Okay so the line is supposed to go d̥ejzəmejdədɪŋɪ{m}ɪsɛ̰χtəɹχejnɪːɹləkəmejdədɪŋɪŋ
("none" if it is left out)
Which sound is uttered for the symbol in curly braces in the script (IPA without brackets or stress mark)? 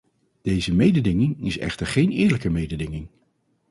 ŋ